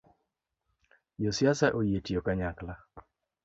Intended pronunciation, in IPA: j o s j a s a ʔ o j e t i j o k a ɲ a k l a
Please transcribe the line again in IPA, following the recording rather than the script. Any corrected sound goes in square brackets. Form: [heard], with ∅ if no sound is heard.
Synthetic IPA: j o s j a s a ʔ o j e t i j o k a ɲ a k l a